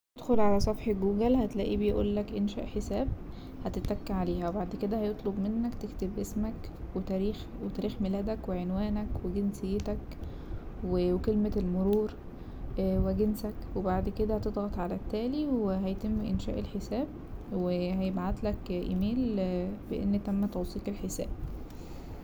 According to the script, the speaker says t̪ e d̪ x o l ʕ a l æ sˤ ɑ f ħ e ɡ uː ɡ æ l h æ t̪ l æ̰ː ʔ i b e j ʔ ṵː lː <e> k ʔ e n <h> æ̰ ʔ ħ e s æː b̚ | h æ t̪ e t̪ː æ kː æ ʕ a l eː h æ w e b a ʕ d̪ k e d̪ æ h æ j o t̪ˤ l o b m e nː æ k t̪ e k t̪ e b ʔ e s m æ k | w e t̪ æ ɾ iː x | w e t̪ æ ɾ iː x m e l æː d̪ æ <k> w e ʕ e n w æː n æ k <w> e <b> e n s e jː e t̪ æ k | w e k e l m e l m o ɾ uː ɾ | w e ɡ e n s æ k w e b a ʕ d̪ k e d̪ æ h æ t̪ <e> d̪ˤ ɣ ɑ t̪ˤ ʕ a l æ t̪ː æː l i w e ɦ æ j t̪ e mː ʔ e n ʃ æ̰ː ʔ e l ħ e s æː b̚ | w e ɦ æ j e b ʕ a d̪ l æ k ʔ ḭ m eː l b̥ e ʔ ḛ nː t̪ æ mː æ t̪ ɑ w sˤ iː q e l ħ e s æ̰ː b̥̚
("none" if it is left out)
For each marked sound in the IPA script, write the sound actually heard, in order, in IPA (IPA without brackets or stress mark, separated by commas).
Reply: æ, ʃ, k, w, ɡ, e